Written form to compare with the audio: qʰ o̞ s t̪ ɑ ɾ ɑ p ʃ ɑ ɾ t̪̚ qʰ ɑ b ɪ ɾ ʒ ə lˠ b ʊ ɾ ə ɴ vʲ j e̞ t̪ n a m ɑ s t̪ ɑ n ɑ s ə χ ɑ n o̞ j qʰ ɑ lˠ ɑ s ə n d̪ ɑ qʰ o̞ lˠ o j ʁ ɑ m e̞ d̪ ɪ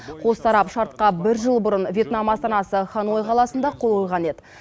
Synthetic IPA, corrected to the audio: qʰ o̞ s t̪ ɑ ɾ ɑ p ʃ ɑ ɾ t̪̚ q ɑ b ɪ ɾ ʒ ə lˠ b ʊ ɾ ə n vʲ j e̞ t̪ n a m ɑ s t̪ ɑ n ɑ s ə χ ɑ n o̞ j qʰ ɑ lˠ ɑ s ə n d̪ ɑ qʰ o̞ lˠ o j ʁ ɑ n e̞ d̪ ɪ